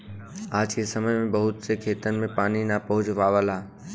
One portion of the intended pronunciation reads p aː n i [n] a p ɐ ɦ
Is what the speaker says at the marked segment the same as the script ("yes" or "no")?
yes